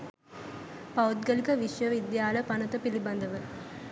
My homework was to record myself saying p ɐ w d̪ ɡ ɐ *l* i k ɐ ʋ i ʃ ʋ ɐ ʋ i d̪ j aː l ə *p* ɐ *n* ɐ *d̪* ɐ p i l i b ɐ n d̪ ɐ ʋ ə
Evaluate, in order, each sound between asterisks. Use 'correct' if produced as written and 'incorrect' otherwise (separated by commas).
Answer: correct, correct, correct, incorrect